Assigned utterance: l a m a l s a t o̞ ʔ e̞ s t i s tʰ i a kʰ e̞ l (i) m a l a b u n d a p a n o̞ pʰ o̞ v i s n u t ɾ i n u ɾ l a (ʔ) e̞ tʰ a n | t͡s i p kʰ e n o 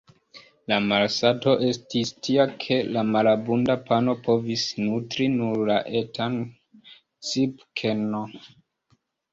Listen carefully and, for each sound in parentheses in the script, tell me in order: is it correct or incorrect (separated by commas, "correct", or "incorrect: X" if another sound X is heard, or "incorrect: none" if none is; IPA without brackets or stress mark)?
incorrect: a, correct